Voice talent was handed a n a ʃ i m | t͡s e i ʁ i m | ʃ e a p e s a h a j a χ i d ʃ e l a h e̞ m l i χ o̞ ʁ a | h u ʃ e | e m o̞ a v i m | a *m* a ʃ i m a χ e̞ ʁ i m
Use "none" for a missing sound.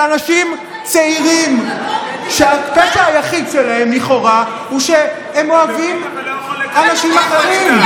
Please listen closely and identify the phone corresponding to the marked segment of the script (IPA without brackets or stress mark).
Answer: n